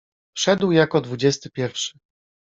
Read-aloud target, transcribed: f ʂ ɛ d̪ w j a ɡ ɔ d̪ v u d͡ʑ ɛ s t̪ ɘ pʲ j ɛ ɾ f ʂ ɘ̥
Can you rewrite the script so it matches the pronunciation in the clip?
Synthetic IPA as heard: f ʂ ɛ d̪ w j a k ɔ d̪ v u d͡ʑ ɛ s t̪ ɘ pʲ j ɛ ɾ f ʂ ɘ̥